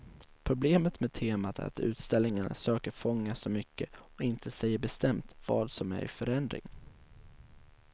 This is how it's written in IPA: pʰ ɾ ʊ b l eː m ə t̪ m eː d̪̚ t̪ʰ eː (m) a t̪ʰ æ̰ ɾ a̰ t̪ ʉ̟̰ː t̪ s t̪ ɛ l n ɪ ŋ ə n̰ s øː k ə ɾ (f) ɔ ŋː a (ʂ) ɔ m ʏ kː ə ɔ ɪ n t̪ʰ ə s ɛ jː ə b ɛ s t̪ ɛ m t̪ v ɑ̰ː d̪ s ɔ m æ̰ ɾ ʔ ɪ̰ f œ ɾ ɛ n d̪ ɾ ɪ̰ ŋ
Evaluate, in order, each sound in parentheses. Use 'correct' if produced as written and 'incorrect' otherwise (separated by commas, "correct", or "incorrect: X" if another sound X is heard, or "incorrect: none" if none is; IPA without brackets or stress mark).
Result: correct, correct, incorrect: s